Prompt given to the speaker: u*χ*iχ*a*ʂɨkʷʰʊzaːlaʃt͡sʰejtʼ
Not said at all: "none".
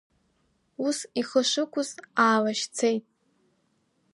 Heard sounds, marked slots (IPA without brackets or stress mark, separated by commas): s, ə